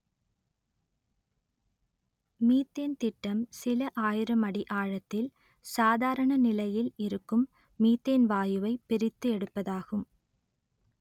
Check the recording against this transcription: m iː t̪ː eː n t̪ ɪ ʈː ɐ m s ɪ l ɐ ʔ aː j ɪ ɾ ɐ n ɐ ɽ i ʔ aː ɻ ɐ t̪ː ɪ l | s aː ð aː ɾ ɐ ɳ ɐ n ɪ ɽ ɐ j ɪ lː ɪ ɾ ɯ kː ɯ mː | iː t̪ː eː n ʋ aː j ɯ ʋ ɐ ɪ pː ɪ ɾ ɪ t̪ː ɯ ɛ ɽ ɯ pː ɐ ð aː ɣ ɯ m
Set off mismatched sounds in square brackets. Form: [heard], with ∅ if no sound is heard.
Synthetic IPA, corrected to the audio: m iː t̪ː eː n t̪ ɪ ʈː ɐ m s ɪ l ɐ ʔ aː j ɪ ɾ ɐ [m] ɐ ɽ i ʔ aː ɻ ɐ t̪ː ɪ l | s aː ð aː ɾ ɐ ɳ ɐ n ɪ [l] ɐ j ɪ [l] ɪ ɾ ɯ kː ɯ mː | iː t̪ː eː n ʋ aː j ɯ ʋ ɐ ɪ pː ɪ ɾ ɪ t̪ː ɯ ɛ ɽ ɯ pː ɐ ð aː ɣ ɯ m